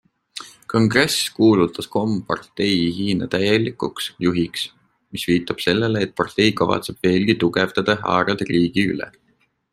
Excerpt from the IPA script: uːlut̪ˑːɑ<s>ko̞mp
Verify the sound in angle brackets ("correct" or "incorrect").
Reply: correct